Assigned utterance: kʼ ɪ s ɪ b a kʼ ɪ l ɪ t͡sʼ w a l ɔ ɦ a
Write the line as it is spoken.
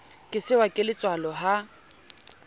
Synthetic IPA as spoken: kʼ ɪ s ɪ w a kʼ ɪ l ɪ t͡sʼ w a l ɔ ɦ a

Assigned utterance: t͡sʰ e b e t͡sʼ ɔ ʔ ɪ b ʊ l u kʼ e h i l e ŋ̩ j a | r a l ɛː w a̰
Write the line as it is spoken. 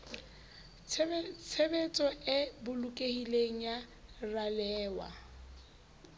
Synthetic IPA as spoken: t͡sʰ e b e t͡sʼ ɔ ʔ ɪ b ʊ l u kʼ e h i l e ŋ̩ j a | r a l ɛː w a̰

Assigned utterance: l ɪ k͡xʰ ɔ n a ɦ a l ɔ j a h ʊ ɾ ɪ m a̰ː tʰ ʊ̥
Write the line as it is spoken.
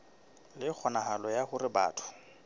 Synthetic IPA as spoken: l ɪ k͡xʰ ɔ n a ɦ a l ɔ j a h ʊ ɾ ɪ b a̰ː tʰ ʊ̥

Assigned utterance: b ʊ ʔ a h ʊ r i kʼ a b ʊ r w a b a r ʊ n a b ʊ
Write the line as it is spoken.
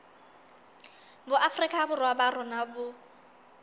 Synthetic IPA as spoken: b ʊ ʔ a f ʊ r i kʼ a b ʊ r w a b a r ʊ n a b ʊ

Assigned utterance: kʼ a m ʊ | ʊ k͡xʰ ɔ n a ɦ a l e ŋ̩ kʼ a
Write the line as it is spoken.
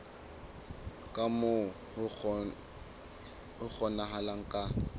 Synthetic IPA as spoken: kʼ a m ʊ | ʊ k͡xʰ ɔ n a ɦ a l a ŋ̩ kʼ a

